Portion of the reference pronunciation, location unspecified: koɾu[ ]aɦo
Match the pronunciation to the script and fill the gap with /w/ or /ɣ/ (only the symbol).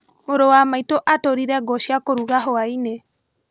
ɣ